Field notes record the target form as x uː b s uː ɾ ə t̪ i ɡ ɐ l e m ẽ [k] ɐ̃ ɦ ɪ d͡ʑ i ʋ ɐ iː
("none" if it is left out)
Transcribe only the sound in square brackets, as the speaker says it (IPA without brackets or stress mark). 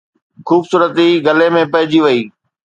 p